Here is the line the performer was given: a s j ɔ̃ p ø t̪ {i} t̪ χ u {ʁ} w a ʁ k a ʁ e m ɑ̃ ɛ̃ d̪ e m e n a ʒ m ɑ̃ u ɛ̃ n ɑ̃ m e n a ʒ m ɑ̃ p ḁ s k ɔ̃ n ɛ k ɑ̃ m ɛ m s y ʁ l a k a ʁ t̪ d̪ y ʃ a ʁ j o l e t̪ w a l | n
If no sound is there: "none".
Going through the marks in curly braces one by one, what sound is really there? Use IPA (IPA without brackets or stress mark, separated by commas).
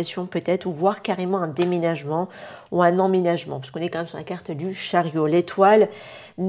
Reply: ɛ, v